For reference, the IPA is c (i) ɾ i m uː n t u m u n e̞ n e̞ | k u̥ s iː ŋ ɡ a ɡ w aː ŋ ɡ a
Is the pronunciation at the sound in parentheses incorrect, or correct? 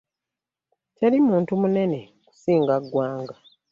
incorrect